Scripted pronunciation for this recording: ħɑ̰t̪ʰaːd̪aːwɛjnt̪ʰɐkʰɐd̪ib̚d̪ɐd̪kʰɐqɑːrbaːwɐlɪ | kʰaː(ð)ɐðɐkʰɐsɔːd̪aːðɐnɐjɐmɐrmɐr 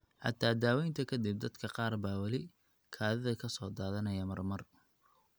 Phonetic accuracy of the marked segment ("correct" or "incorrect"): correct